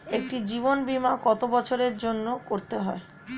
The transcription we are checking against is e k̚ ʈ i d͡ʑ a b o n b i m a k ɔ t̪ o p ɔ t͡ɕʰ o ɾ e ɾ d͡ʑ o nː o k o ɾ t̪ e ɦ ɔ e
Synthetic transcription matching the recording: e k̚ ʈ i d͡ʑ i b o n b i m a k ɔ t̪ o b ɔ t͡ɕʰ o ɾ e ɾ d͡ʑ o nː o k o ɾ t̪ e ɦ ɔ e